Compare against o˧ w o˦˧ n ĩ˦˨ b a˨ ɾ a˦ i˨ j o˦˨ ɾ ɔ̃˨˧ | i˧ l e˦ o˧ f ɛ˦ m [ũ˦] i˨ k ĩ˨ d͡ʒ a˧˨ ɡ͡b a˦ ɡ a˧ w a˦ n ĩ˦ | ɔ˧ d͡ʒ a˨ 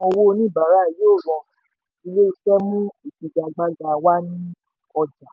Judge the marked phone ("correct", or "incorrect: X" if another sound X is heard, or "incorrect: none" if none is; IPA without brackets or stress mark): correct